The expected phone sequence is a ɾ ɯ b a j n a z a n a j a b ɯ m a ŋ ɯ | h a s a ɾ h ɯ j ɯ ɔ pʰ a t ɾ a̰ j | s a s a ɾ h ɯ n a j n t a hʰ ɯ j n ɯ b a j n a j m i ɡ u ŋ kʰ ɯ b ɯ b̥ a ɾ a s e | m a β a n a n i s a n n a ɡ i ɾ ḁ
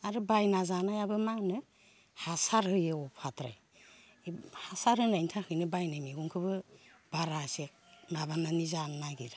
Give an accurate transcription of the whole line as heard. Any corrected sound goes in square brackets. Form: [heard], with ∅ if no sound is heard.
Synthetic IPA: a ɾ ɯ b a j n a z a n a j a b ɯ m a [n] ɯ | h a s a ɾ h ɯ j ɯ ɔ pʰ a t ɾ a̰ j | [h] a s a ɾ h ɯ n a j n [tʰ] a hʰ ɯ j n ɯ b a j n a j m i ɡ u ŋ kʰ ɯ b ɯ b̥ a ɾ a s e | m a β a n a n i [z] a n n a ɡ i ɾ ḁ